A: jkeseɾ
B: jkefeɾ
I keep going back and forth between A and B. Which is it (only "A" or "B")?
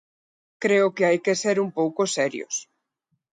A